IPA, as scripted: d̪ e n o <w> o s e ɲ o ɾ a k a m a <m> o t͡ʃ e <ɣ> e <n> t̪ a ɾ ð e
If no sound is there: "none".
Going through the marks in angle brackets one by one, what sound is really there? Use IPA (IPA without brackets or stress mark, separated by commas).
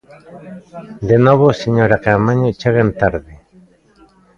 β, ɲ, ɣ, n